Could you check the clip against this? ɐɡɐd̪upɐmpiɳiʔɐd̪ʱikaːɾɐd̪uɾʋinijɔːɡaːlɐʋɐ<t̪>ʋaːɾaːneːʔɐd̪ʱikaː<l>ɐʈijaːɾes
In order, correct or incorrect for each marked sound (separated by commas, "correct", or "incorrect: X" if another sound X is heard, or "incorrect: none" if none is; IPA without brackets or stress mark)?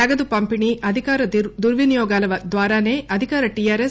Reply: incorrect: d̪, incorrect: ɾ